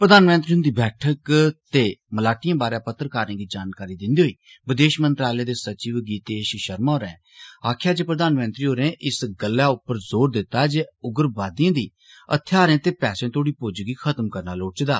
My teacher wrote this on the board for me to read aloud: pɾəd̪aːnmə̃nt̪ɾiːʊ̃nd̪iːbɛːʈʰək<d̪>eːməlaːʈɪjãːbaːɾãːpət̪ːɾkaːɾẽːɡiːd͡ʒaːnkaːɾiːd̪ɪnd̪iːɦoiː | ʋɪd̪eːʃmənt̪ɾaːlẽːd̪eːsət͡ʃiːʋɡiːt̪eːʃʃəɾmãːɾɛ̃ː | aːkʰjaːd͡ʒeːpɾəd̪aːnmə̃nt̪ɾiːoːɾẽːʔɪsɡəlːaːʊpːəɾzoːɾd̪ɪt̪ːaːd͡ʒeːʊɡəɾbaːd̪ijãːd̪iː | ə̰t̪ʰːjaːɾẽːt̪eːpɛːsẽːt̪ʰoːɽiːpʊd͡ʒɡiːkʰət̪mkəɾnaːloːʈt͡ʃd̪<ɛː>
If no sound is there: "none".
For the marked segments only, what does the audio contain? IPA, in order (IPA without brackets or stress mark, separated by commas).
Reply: t̪, aː